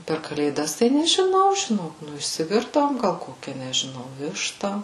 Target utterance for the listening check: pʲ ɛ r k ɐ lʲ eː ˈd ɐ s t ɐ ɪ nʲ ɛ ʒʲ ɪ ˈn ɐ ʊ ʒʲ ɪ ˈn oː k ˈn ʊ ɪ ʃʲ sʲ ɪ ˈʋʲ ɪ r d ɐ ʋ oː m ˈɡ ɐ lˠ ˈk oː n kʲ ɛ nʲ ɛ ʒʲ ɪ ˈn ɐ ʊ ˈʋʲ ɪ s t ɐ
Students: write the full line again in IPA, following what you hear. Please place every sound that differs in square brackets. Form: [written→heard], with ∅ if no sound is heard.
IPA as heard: pʲ ɛ r k ɐ lʲ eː ˈd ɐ s t ɐ ɪ nʲ ɛ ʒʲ ɪ ˈn ɐ ʊ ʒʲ ɪ ˈn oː k ˈn ʊ ɪ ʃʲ sʲ ɪ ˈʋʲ ɪ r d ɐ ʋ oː m ˈɡ ɐ lˠ ˈk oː [n→∅] kʲ ɛ nʲ ɛ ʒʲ ɪ ˈn ɐ ʊ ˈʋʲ ɪ [s→ʃ] t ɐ